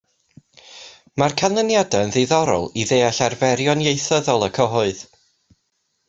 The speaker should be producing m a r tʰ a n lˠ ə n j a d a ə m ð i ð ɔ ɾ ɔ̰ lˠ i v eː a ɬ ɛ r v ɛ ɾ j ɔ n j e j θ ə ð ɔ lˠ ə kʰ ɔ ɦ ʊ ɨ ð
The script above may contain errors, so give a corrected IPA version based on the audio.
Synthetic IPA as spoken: m a r kʰ a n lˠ ə n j a d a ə n ð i ð ɔ ɾ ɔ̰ lˠ i ð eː a ɬ a r v ɛ ɾ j ɔ n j e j θ ə ð ɔ lˠ ə kʰ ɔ ɦ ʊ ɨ ð